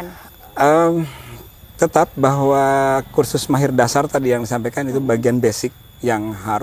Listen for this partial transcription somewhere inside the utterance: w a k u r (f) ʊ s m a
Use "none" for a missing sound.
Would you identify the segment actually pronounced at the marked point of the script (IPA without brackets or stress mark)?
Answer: s